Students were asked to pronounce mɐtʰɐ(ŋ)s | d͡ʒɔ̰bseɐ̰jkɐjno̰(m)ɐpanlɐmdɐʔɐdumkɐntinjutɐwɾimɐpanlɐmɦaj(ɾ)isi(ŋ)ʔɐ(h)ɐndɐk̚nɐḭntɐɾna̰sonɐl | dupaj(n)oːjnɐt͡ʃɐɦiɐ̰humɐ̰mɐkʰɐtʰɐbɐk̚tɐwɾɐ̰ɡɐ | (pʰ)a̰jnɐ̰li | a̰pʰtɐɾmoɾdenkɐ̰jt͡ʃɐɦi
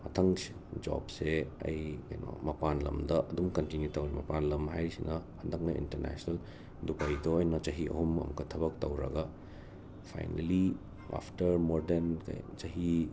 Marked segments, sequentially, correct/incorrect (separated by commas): correct, correct, correct, incorrect, correct, incorrect, correct